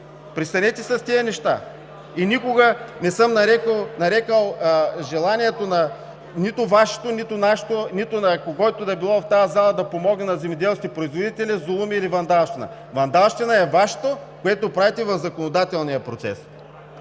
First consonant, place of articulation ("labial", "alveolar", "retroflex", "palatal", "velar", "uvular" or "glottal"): labial